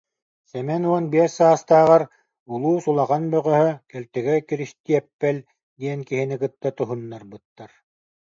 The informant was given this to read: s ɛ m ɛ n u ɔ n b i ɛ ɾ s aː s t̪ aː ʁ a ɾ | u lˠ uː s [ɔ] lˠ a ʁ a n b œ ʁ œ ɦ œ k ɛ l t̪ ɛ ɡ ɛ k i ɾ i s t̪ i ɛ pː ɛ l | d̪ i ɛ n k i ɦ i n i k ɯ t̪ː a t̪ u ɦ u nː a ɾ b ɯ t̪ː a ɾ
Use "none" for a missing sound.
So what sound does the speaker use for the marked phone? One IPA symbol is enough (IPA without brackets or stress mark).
u